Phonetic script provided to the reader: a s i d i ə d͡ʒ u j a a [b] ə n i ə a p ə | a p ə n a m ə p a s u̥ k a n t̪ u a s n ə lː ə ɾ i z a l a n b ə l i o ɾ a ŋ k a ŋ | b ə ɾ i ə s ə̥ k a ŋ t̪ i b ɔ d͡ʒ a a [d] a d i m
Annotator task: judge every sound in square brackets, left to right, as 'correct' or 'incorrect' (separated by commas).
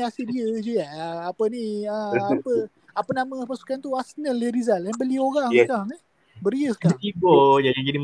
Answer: incorrect, incorrect